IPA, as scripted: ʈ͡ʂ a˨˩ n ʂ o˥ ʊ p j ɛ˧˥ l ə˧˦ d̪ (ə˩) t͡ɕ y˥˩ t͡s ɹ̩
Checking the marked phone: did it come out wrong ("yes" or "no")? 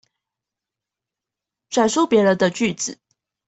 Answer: yes